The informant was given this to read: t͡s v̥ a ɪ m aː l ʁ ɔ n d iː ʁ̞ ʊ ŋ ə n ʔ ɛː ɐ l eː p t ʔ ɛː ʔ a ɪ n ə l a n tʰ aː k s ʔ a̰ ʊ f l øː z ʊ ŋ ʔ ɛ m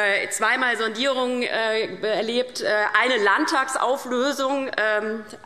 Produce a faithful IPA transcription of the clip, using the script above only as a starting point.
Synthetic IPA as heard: t͡s v̥ a ɪ m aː l z ɔ n d iː ʁ̞ ʊ ŋ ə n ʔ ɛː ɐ l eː p t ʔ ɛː ʔ a ɪ n ə l a n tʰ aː k s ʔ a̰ ʊ f l øː z ʊ ŋ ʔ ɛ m